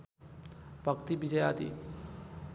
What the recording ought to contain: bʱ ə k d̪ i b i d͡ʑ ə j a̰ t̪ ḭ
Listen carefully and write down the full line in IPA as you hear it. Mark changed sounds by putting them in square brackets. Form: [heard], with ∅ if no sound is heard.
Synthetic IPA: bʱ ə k [t̪] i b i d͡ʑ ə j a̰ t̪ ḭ